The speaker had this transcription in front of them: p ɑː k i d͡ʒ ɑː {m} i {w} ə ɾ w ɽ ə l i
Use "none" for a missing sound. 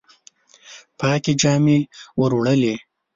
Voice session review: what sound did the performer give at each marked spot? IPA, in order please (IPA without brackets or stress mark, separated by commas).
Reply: m, w